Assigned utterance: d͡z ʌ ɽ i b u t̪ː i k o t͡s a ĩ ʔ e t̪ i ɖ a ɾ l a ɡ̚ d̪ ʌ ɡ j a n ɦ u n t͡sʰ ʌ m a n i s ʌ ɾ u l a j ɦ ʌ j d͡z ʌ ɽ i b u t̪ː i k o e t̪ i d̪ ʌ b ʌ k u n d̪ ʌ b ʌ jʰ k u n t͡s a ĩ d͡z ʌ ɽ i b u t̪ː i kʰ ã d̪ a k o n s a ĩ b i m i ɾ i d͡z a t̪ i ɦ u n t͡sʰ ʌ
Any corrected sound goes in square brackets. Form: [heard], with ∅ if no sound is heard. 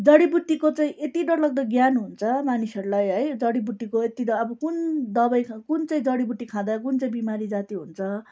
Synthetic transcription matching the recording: d͡z ʌ ɽ i b u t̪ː i k o t͡s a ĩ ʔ e t̪ i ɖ [ʌ] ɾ l [ʌ] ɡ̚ d̪ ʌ ɡ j a n ɦ u n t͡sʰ ʌ m a n i s ʌ ɾ u l a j ɦ ʌ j d͡z ʌ ɽ i b u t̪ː i k o e t̪ i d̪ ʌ b ʌ k u n d̪ ʌ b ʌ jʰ k u n t͡s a ĩ d͡z ʌ ɽ i b u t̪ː i kʰ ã d̪ a k [u] n [t͡s] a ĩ b i m [a] ɾ i d͡z a t̪ i ɦ u n t͡sʰ ʌ